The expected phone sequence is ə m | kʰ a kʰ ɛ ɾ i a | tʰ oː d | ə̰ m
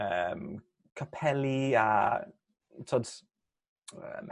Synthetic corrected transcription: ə m | kʰ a pʰ ɛ l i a | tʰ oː d | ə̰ m